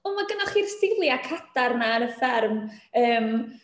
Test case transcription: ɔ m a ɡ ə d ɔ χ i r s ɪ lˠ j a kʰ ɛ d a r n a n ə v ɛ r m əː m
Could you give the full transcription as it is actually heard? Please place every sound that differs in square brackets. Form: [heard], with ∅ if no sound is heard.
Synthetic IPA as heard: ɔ m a ɡ ə [n] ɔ χ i r s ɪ lˠ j a kʰ [a] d a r n a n ə [f] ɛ r m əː m